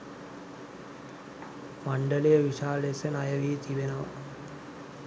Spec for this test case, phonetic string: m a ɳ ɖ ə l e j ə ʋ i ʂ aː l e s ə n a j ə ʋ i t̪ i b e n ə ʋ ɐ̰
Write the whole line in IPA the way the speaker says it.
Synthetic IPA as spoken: m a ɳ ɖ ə l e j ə ʋ i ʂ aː l e s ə n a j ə ʋ i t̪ i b e n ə ʋ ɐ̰